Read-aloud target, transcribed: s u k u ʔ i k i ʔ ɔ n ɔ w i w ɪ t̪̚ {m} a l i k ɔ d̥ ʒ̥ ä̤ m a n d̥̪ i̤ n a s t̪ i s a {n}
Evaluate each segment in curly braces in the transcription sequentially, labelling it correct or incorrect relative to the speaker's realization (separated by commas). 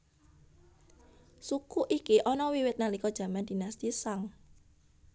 incorrect, incorrect